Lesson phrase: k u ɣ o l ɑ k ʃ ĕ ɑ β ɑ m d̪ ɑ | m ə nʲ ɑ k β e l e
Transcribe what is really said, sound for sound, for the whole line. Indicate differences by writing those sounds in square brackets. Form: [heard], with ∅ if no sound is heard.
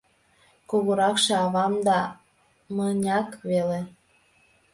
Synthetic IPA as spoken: k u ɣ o [ɾ] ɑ k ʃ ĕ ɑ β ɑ m d̪ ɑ | m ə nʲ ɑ k β e l e